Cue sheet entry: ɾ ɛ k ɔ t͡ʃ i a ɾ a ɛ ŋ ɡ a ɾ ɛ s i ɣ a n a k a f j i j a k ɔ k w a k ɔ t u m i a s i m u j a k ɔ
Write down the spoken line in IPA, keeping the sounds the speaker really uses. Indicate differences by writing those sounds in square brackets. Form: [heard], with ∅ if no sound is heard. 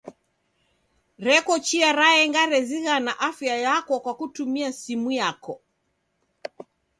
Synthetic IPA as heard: ɾ ɛ k ɔ t͡ʃ i a ɾ a ɛ ŋ ɡ a ɾ ɛ [z] i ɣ a n a [ʔ] a f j [a] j a k ɔ k w a k [u] t u m i a s i m u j a k ɔ